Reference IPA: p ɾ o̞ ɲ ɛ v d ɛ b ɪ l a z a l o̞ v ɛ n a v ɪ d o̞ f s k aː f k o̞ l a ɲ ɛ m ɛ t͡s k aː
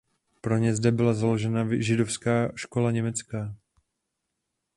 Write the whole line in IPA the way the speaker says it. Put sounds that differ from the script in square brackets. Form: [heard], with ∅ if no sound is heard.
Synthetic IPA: p ɾ o̞ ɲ ɛ [z] d ɛ b ɪ l a z a l o̞ [ʒ] ɛ n a [ʒ] ɪ d o̞ f s k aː [ʃ] k o̞ l a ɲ ɛ m ɛ t͡s k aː